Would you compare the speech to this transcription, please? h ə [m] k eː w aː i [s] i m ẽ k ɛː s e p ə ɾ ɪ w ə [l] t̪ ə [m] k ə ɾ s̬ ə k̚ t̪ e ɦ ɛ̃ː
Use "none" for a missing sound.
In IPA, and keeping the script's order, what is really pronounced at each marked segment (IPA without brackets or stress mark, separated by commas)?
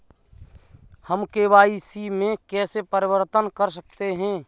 m, s, ɾ, n